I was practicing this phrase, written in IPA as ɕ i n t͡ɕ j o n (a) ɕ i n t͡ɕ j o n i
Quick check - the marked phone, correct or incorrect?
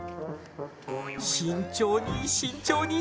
incorrect